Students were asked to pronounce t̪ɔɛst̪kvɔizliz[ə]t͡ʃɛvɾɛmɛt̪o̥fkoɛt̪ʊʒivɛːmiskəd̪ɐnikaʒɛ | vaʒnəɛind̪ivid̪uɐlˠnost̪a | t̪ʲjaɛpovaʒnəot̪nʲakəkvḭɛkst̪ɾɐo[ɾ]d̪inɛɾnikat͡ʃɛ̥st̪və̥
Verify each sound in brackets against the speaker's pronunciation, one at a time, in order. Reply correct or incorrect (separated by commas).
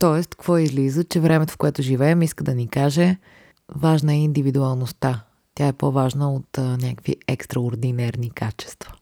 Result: correct, correct